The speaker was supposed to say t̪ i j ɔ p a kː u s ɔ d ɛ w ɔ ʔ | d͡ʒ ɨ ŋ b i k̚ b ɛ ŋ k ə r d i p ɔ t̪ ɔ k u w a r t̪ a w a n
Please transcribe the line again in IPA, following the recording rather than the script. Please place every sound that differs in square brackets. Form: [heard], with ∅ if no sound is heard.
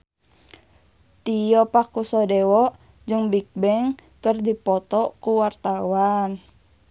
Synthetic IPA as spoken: t̪ i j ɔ p a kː u s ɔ d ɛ w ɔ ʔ | d͡ʒ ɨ ŋ b i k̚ b ɛ ŋ k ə r d i p ɔ t̪ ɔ k u w a r t̪ a w a n

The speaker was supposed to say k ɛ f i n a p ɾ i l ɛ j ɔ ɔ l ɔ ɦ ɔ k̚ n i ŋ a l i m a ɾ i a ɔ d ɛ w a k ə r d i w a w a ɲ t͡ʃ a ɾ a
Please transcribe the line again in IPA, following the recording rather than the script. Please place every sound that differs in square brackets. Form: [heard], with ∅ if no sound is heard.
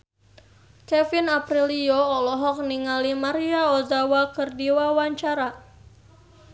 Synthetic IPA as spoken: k ɛ f i n a p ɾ i l [i] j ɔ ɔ l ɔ ɦ ɔ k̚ n i ŋ a l i m a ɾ i a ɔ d [a] w a k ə r d i w a w a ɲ t͡ʃ a ɾ a

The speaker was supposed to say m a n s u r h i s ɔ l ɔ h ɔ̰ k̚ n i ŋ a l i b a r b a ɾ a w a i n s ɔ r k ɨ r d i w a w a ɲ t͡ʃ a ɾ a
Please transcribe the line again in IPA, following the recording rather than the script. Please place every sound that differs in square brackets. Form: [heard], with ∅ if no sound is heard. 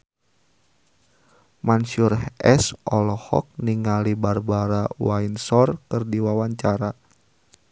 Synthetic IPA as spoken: m a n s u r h [ɛ] s ɔ l ɔ h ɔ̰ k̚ n i ŋ a l i b a r b a ɾ a w a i n s ɔ r k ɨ r d i w a w a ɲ t͡ʃ a ɾ a

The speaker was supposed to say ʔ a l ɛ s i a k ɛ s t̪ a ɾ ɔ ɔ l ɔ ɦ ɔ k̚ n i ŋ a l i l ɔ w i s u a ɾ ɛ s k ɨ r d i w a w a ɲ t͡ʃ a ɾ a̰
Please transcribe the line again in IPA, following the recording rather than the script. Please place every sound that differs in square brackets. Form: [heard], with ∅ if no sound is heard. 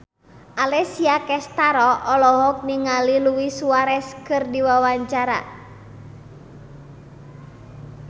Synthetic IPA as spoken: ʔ a l ɛ s i a k ɛ s t̪ a ɾ ɔ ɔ l ɔ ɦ ɔ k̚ n i ŋ a l i l [u] w i s u a ɾ ɛ s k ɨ r d i w a w a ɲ t͡ʃ a ɾ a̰

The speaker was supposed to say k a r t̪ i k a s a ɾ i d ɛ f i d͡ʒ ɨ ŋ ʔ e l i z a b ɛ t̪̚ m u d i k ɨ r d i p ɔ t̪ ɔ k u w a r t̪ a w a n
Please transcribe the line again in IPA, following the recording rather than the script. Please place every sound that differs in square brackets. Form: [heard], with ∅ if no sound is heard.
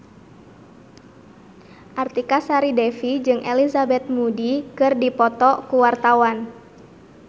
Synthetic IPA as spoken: [ʔ] a r t̪ i k a s a ɾ i d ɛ f i d͡ʒ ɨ ŋ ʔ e l i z a b ɛ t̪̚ m u d i k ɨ r d i p ɔ t̪ ɔ k u w a r t̪ a w a n

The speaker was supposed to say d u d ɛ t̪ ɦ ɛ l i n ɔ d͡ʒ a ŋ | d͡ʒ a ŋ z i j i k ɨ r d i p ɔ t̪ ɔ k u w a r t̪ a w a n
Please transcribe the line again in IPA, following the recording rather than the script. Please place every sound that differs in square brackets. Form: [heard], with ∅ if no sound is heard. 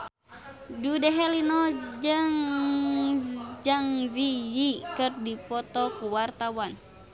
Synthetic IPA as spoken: d u d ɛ [∅] ɦ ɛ l i n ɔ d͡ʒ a ŋ | d͡ʒ a ŋ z i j i k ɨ r d i p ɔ t̪ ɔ k u w a r t̪ a w a n

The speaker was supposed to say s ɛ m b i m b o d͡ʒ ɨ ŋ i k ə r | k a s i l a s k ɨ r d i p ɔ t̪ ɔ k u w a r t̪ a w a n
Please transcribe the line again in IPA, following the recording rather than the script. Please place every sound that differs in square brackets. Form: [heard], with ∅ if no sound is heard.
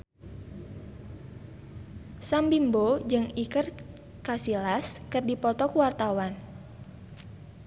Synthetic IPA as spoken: s [a] m b i m b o d͡ʒ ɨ ŋ i k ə r | k a s i l a s k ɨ r d i p ɔ t̪ ɔ k u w a r t̪ a w a n

